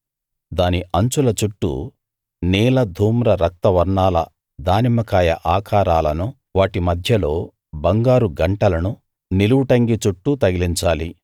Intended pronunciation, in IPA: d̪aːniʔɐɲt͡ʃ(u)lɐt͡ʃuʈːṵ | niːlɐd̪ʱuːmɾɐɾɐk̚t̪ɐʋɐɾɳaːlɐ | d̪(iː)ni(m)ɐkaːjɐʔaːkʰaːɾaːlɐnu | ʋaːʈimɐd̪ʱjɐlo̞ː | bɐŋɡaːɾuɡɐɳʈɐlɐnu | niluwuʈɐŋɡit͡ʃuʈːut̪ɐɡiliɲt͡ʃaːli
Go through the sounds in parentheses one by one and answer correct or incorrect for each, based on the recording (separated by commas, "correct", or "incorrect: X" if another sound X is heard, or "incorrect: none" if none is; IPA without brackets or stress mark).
correct, incorrect: aː, correct